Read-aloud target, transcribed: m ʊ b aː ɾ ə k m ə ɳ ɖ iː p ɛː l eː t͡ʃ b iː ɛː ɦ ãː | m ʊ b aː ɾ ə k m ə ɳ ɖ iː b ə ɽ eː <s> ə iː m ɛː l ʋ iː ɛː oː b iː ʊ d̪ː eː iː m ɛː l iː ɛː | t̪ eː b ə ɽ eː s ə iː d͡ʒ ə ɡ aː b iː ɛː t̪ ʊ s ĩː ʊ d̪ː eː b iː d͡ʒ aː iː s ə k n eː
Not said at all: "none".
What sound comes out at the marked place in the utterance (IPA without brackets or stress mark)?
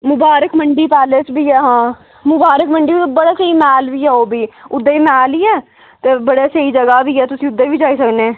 s